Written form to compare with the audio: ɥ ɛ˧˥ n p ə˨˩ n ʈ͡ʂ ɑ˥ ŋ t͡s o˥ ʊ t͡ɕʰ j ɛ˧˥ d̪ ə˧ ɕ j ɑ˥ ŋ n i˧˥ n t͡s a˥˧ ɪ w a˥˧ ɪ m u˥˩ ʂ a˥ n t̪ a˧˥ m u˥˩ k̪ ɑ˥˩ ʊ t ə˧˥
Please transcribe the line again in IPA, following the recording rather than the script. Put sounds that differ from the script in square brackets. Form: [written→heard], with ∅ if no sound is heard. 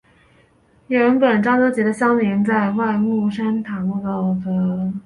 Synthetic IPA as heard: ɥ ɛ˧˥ n p ə˨˩ n ʈ͡ʂ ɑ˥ ŋ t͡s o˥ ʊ [t͡ɕʰ→t͡ɕ] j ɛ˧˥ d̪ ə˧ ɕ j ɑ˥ ŋ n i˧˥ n t͡s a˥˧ ɪ w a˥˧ ɪ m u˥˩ ʂ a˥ n [t̪→t̪ʰ] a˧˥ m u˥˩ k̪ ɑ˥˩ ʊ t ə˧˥